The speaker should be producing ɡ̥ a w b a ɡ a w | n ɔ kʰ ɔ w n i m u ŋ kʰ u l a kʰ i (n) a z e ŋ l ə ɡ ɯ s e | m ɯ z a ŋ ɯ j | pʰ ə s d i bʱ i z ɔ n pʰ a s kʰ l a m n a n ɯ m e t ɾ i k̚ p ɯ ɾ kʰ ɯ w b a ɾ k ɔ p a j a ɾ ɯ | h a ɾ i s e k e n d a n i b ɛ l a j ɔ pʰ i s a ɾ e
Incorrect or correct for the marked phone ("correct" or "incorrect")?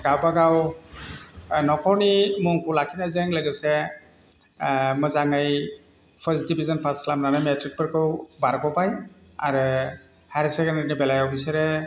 correct